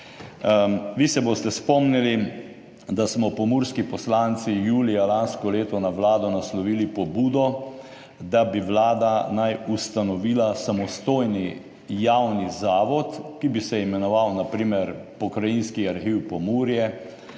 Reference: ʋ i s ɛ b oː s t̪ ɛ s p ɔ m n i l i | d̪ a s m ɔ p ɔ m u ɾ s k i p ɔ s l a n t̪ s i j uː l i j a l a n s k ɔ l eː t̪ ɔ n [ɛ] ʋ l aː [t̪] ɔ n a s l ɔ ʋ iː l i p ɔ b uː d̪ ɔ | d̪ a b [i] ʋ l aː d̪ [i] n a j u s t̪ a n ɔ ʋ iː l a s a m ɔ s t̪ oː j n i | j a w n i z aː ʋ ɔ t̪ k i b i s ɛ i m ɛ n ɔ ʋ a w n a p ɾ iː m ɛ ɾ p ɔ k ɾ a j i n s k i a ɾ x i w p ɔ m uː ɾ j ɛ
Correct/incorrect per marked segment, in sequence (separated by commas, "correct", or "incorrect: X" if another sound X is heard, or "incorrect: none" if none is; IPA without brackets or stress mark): incorrect: a, incorrect: d̪, correct, incorrect: a